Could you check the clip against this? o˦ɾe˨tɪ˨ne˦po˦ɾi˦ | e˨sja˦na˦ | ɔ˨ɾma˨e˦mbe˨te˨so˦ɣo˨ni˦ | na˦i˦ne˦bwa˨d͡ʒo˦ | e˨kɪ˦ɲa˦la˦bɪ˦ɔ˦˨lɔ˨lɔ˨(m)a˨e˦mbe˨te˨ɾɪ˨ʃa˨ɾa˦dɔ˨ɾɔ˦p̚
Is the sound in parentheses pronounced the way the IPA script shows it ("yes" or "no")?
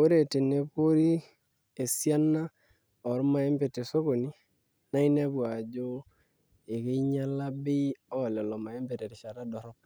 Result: yes